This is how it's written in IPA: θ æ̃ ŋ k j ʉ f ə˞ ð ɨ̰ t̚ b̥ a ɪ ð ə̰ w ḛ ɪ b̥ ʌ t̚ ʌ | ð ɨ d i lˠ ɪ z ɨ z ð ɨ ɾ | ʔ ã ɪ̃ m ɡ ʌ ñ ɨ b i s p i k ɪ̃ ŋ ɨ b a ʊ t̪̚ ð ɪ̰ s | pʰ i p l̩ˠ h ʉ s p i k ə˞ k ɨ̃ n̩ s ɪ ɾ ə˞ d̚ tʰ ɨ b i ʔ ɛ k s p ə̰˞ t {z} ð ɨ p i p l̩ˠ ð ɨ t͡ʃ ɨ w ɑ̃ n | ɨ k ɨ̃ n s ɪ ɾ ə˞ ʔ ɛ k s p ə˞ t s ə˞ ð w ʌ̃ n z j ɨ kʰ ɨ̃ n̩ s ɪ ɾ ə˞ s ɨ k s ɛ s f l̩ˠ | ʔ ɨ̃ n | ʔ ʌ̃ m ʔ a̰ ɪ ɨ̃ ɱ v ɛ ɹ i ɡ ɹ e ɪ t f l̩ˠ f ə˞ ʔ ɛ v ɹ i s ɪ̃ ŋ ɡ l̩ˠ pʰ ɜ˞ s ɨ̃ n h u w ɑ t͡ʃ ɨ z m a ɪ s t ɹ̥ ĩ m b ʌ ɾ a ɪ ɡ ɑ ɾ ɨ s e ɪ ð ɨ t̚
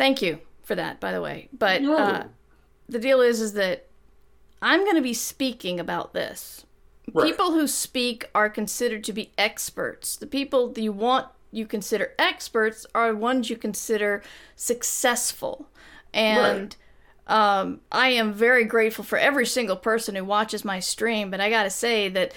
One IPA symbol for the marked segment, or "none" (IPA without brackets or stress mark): s